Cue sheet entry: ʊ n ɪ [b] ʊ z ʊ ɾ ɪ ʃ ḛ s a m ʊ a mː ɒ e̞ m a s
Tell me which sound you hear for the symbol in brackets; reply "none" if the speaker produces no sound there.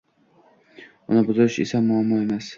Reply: b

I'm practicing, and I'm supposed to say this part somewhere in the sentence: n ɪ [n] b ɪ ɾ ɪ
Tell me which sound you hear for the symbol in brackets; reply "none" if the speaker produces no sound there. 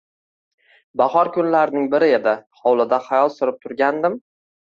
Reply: ŋ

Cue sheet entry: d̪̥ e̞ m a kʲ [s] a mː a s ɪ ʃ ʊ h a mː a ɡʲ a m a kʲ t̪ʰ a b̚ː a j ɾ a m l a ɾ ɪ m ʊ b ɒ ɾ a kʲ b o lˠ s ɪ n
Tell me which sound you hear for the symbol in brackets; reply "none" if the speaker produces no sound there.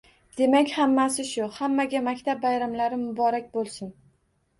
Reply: h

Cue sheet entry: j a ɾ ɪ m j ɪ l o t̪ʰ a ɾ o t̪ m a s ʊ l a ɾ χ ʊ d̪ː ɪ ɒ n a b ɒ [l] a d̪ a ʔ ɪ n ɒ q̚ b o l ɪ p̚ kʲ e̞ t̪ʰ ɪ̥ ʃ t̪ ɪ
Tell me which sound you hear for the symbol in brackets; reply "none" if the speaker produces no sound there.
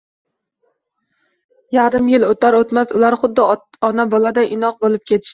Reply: l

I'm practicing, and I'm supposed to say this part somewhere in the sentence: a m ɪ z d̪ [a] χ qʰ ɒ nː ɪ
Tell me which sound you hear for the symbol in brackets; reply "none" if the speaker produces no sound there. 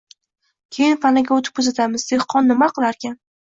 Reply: e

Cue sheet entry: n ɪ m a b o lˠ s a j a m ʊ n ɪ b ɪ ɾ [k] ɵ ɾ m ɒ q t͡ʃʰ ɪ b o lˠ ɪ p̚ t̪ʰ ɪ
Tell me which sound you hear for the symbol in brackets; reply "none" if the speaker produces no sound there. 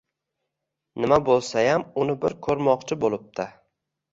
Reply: kʰ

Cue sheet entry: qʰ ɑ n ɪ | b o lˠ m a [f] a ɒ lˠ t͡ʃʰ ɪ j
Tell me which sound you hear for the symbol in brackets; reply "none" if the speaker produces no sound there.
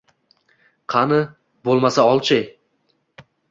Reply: s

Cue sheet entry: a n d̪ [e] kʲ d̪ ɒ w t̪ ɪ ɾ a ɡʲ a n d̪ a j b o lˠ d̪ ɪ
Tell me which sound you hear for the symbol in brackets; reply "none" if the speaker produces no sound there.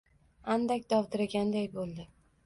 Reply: a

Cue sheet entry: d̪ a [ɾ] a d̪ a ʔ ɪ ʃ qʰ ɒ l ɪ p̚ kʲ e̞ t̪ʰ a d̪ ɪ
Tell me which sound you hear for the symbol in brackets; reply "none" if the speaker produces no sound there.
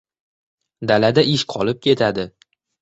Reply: l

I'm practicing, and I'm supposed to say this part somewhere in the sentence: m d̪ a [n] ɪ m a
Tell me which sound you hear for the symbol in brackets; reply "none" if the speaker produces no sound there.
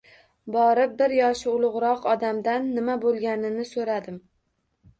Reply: nː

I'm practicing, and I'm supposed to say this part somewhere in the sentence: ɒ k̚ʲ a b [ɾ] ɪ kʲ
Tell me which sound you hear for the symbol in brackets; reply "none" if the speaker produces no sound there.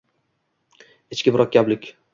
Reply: l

